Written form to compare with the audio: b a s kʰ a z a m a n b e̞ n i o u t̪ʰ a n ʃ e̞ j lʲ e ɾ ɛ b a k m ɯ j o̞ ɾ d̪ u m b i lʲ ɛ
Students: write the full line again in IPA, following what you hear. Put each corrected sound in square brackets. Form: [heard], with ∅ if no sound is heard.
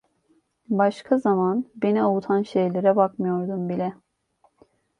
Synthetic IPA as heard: b a [ʃ] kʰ a z a m a n b e̞ n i o u t̪ʰ a n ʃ e̞ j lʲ e ɾ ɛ b a k m ɯ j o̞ ɾ d̪ u m b i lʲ ɛ